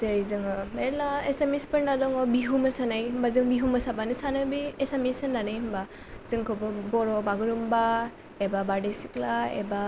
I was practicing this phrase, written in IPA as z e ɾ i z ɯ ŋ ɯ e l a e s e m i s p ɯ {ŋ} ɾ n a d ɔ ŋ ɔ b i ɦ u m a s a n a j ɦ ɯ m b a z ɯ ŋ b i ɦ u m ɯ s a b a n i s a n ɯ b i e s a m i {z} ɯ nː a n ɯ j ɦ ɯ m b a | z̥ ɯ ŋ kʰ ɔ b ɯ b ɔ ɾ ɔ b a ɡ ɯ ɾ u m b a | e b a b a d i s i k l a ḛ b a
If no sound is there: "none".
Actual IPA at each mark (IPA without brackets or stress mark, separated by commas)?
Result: none, s